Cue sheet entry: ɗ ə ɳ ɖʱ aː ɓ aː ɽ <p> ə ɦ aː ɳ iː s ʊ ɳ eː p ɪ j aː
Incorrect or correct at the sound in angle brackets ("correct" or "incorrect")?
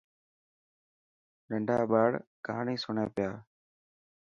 incorrect